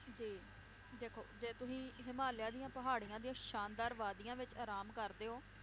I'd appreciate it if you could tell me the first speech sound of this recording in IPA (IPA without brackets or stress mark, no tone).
d͡ʒ